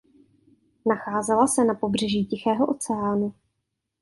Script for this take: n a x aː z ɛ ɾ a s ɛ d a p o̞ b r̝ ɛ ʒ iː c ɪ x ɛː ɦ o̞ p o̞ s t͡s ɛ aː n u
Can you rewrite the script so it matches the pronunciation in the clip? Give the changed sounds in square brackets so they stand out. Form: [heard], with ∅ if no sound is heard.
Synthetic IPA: n a x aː z ɛ [l] a s ɛ [n] a p o̞ b r̝ ɛ ʒ iː c ɪ x ɛː ɦ o̞ [ʔ] o̞ [∅] t͡s ɛ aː n u